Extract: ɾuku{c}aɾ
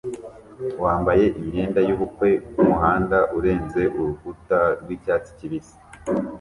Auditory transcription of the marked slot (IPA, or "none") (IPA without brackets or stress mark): t